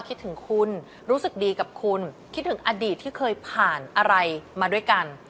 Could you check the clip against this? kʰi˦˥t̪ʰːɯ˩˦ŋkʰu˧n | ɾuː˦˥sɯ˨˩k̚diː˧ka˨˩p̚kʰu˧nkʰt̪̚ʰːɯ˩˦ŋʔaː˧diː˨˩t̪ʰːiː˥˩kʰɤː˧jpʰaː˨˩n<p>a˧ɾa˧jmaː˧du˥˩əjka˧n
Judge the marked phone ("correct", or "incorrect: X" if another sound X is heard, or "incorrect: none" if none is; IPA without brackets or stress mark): incorrect: ʔ